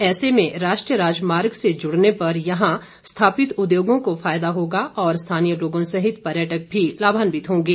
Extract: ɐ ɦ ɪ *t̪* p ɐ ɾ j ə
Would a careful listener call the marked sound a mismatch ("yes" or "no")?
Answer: no